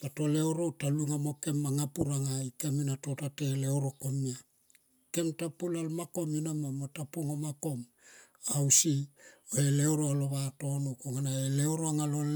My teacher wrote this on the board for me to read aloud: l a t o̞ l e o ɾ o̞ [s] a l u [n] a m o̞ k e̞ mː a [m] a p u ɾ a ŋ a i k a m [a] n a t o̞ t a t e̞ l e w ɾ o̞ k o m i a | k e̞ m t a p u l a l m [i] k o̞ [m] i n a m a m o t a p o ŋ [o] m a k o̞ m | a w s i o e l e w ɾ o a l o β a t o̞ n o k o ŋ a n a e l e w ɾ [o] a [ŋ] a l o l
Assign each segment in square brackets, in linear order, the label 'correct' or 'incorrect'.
incorrect: t, incorrect: ŋ, incorrect: ŋ, incorrect: i, incorrect: a, correct, correct, correct, correct

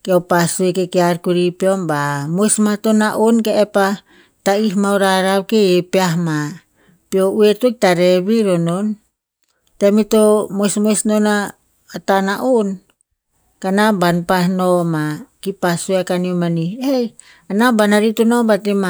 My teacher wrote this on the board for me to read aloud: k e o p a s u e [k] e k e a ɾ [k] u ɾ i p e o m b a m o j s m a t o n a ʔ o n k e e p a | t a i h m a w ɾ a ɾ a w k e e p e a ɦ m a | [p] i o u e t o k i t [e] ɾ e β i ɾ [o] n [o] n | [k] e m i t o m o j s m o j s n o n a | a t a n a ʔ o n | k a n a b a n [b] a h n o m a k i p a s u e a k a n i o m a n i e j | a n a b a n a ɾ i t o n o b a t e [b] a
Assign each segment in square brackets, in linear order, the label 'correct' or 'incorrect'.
correct, correct, correct, incorrect: a, correct, correct, incorrect: t, incorrect: p, incorrect: m

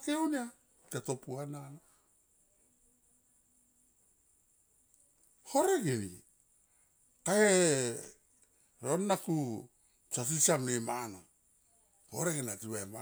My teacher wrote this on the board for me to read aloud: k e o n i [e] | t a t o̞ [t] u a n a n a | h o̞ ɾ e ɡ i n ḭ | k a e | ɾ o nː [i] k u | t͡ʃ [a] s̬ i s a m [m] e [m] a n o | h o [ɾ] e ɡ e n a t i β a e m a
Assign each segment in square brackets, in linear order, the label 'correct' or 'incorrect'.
incorrect: a, incorrect: p, incorrect: a, correct, incorrect: n, correct, correct

